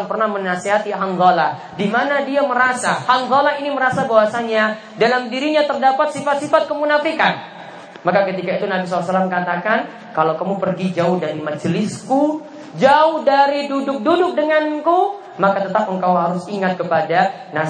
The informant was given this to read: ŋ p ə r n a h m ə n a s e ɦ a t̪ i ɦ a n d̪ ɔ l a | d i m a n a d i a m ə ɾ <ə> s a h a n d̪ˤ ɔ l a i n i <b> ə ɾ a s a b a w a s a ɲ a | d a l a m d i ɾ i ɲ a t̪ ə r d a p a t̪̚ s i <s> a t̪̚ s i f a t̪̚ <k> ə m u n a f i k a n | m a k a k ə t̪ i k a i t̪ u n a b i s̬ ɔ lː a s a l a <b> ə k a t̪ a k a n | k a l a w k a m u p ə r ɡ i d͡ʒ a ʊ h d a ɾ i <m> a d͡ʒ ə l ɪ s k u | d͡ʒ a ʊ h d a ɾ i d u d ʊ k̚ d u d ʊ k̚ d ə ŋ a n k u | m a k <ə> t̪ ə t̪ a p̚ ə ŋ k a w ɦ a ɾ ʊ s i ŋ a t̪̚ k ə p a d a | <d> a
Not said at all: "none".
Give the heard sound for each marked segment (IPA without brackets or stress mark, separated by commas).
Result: a, m, f, k, m, m, a, n